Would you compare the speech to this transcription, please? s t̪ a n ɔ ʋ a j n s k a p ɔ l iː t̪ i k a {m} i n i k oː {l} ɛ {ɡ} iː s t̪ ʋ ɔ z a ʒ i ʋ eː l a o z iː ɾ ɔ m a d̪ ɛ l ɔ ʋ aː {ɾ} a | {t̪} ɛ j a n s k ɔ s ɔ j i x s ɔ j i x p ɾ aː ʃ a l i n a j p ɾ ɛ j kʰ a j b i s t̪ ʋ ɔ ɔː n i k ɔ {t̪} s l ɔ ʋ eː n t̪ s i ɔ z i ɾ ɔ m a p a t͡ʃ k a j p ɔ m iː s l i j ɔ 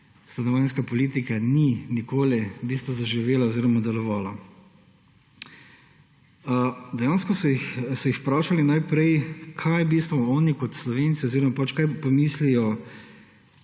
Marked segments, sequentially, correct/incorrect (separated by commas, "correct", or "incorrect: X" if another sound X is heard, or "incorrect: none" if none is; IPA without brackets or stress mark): incorrect: n, correct, incorrect: b, incorrect: l, incorrect: d̪, correct